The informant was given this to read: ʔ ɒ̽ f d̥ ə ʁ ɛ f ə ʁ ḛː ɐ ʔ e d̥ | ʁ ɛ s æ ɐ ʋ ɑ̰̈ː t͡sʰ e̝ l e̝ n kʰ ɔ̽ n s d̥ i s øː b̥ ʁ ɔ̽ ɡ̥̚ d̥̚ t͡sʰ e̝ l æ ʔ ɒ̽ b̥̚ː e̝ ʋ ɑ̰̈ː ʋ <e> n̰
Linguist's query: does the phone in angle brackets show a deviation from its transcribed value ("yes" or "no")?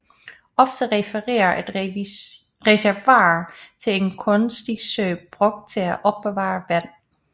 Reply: yes